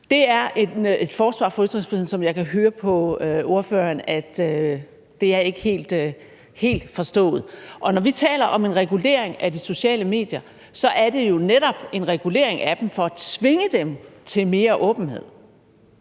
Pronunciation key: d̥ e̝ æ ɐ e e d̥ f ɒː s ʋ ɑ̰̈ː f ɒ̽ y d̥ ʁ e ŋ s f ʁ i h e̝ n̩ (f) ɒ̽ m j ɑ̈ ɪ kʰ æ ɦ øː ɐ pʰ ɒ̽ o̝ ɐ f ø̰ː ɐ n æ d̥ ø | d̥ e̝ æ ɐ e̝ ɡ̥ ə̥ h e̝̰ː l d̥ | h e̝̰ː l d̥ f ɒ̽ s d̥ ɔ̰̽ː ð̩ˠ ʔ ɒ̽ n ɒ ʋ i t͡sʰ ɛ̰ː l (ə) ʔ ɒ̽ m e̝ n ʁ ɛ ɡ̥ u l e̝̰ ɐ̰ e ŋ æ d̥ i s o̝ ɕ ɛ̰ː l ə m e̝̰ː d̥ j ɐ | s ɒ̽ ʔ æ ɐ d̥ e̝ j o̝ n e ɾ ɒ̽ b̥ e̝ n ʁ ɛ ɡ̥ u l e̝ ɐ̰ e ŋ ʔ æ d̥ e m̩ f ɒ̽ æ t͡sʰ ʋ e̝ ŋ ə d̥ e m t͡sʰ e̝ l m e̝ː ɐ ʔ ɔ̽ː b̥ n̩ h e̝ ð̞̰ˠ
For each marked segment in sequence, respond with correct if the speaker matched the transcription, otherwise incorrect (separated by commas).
incorrect, incorrect